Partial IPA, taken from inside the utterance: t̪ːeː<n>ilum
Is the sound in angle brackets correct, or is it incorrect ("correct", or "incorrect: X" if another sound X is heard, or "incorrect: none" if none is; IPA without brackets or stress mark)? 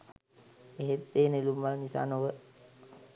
correct